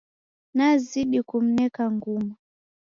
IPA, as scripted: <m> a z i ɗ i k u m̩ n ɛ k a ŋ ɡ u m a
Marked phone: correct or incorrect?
incorrect